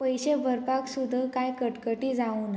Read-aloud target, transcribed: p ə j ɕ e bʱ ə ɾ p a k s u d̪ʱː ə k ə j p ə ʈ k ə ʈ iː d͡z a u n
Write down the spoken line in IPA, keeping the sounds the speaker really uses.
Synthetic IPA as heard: p ə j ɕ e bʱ ə ɾ p a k s u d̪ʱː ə k a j k ə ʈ k ə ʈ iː d͡z a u n

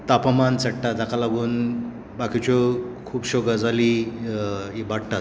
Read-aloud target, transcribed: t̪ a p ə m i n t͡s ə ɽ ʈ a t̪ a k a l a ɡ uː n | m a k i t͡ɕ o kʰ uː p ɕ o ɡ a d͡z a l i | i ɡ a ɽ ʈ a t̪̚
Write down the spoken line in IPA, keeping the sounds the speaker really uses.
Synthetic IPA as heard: t̪ a p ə m a n t͡s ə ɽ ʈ a t̪ a k a l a ɡ uː n | b a k i t͡ɕ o kʰ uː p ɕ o ɡ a d͡z a l i | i b a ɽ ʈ a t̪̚

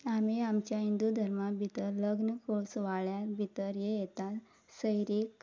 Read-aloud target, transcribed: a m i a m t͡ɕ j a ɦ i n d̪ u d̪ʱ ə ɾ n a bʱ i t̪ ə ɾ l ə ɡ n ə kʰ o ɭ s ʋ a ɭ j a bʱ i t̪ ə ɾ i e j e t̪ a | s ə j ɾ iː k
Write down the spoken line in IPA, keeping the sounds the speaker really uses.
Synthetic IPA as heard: a m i a m t͡ɕ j a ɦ i n d̪ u d̪ʱ ə ɾ m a bʱ i t̪ ə ɾ l ə ɡ n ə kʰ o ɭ s ʋ a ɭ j a bʱ i t̪ ə ɾ j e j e t̪ a | s ə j ɾ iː k

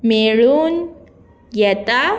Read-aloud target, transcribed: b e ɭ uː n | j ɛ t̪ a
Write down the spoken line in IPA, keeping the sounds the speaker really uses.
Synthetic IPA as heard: m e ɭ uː n | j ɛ t̪ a

